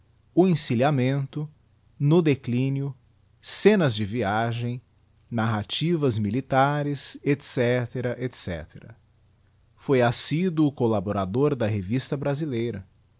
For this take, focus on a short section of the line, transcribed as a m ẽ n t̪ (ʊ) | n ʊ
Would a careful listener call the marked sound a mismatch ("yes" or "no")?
no